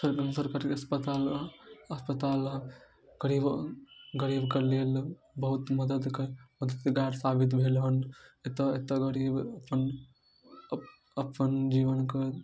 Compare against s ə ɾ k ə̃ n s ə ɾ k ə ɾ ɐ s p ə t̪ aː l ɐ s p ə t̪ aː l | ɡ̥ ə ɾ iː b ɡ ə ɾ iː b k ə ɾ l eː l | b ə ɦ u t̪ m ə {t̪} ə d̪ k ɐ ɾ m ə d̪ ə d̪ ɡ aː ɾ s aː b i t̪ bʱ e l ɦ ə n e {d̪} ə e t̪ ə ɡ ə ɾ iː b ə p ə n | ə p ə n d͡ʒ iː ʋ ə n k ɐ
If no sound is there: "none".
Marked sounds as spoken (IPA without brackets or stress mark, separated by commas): d̪, t̪